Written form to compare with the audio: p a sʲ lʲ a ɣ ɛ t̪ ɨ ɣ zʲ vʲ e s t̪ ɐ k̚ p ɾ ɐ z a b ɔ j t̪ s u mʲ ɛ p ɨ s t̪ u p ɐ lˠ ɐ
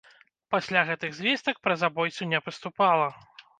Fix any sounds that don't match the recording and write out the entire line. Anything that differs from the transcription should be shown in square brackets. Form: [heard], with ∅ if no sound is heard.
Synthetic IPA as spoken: p a sʲ lʲ a ɣ ɛ t̪ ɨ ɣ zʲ vʲ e s t̪ ɐ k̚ p ɾ ɐ z a b ɔ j t̪ s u [nʲ] ɛ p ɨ s t̪ u p [a] lˠ ɐ